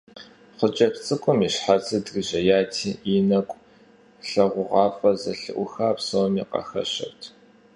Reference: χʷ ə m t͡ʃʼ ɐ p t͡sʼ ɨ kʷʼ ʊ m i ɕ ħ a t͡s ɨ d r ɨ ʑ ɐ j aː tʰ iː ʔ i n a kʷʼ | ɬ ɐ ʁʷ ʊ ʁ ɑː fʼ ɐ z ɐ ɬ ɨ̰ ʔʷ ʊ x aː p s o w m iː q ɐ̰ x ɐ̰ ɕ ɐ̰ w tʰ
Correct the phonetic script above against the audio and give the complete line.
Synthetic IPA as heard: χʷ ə t͡ʃʼ ɐ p t͡sʼ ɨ kʷʼ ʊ m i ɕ ħ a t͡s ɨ d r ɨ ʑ ɐ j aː tʰ iː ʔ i n ɐ kʷʼ | ɬ ɐ ʁʷ ʊ ʁ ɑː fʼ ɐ z ɐ ɬ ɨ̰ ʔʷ ʊ x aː p s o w m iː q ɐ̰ x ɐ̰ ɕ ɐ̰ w tʰ